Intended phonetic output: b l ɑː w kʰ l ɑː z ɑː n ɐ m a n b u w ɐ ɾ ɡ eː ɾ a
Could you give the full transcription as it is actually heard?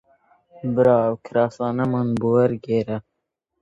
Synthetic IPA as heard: b ɾ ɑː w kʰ ɾ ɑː s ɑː n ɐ m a n b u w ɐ ɾ ɡ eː ɾ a